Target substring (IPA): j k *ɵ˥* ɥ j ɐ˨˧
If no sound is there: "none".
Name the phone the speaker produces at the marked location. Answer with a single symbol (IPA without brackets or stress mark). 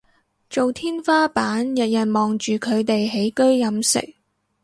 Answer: ɵ˥